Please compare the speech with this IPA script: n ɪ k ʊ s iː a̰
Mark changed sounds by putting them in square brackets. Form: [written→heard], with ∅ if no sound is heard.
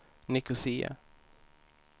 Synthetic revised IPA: n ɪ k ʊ s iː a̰